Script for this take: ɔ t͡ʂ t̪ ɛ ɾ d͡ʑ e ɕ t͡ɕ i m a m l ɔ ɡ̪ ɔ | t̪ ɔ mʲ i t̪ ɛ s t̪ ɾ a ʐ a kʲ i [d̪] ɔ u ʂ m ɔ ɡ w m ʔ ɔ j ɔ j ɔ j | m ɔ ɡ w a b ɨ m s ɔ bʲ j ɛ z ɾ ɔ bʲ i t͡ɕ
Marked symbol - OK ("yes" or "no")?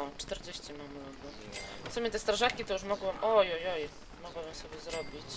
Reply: no